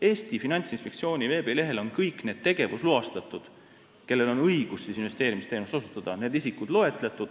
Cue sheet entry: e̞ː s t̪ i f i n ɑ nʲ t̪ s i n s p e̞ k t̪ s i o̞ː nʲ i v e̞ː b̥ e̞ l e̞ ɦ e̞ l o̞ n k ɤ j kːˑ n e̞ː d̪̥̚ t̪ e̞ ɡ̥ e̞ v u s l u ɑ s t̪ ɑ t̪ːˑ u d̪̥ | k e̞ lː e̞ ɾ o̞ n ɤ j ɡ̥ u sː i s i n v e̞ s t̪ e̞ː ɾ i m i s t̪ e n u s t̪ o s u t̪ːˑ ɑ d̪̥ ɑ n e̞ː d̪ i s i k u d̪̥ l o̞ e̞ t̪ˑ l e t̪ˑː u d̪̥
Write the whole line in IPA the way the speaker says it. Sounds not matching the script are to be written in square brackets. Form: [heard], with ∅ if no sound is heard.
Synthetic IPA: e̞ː s t̪ i f i n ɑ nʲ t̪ s i n s p e̞ k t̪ s i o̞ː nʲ i v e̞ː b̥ e̞ l e̞ ɦ e̞ l o̞ n k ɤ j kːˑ n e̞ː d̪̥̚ t̪ e̞ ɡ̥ e̞ v u s l u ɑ s t̪ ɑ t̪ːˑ u d̪̥ | k e̞ lː e̞ [l] o̞ n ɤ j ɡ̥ u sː i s i n v e̞ s t̪ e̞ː ɾ i m i s t̪ e n u s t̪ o s u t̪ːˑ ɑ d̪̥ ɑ n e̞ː d̪ i s i k u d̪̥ l o̞ e̞ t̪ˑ l e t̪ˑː u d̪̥

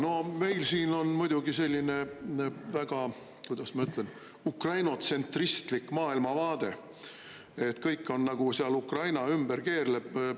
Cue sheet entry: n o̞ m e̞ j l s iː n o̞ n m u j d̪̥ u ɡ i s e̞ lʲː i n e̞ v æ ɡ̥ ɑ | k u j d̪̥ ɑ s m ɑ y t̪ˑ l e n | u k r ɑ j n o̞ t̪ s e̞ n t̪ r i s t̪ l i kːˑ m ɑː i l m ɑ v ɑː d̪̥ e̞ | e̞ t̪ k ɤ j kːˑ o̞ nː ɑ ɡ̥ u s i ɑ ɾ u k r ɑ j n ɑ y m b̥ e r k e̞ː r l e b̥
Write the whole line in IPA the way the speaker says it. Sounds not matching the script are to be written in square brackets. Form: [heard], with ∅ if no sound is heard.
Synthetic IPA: n o̞ m e̞ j l s iː n o̞ n m u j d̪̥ u ɡ i s e̞ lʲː i n e̞ v æ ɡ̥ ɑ | k u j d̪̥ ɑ s m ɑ y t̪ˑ l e n | u k r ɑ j n o̞ t̪ s e̞ n t̪ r i s t̪ l i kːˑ m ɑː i l m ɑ v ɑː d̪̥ e̞ | e̞ t̪ k ɤ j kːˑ o̞ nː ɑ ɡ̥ u s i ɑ [l] u k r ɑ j n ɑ y m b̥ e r k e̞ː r l e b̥

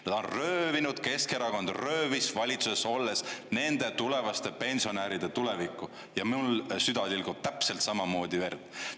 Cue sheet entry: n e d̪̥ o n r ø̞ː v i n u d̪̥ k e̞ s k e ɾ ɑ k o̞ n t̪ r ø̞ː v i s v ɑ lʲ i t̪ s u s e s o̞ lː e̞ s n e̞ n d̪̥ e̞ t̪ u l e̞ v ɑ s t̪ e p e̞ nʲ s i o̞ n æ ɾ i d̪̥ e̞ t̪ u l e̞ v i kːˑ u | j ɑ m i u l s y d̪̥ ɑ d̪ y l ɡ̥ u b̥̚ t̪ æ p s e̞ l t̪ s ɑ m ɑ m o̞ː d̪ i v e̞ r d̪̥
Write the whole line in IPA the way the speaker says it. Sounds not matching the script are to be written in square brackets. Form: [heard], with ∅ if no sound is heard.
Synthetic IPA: n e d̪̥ o n r ø̞ː v i n u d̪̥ k e̞ s k e ɾ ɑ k o̞ n [d̪] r ø̞ː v i s v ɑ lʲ i t̪ s u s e s o̞ lː e̞ s n e̞ n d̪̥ e̞ t̪ u l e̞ v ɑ s t̪ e p e̞ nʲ s i o̞ n æ ɾ i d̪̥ e̞ t̪ u l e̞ v i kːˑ u | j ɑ m i u l s y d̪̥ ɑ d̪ [i] l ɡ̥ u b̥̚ t̪ æ p s e̞ l t̪ s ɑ m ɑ m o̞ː d̪ i v e̞ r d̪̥

